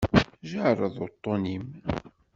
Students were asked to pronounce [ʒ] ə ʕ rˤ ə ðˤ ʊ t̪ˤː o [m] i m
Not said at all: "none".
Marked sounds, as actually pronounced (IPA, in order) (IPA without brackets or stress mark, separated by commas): ʒ, n